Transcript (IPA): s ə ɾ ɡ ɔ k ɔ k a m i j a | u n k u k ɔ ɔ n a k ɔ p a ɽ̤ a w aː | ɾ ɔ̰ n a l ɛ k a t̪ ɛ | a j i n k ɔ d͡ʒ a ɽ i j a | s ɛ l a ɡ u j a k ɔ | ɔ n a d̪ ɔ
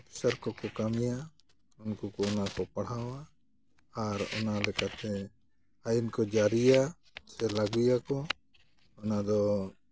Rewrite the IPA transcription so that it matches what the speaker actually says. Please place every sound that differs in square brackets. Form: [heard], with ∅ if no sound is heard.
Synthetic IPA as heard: s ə ɾ [k] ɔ k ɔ k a m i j a | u n k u k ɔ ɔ n a k ɔ p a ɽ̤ a w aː | ɾ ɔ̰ n a l ɛ k a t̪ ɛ | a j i n k ɔ d͡ʒ a [ɾ] i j a | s ɛ l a ɡ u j a k ɔ | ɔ n a d̪ ɔ